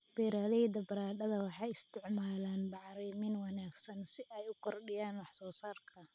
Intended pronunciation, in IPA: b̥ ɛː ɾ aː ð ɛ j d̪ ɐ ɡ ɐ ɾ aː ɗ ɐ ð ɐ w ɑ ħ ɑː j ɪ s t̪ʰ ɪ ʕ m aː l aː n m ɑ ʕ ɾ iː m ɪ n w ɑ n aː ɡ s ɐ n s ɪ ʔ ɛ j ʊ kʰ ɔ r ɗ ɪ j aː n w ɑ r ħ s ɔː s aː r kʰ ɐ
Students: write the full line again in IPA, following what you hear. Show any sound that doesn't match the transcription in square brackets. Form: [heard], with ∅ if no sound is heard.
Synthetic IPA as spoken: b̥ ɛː ɾ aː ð ɛ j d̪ ɐ [b] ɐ ɾ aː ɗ ɐ ð ɐ w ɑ ħ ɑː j ɪ s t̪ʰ ɪ ʕ m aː l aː n [b] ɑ ʕ ɾ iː m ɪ n w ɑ n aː ɡ s ɐ n s ɪ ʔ ɛ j ʊ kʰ ɔ r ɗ ɪ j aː n w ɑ [∅] ħ s ɔː s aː r kʰ ɐ